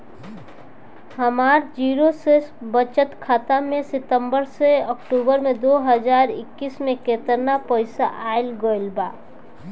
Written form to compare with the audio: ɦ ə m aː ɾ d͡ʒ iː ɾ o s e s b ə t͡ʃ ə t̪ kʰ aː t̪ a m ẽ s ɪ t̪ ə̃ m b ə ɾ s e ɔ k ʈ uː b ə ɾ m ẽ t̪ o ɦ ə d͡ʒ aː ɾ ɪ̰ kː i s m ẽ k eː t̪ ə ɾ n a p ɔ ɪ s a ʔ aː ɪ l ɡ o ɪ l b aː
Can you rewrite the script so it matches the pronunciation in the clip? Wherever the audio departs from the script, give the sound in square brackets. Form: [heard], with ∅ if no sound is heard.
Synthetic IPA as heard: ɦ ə m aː ɾ d͡ʒ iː ɾ o s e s b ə t͡ʃ ə t̪ kʰ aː t̪ a m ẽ s ɪ t̪ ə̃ m b ə ɾ s e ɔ k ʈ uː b ə ɾ m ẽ [d̪] o ɦ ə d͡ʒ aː ɾ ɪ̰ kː i s m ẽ k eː t̪ ə ɾ n a p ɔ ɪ s a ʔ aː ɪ l ɡ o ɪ l b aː